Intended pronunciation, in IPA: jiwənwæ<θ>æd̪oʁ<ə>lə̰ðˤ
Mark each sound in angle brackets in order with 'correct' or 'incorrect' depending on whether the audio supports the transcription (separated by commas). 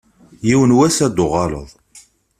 incorrect, incorrect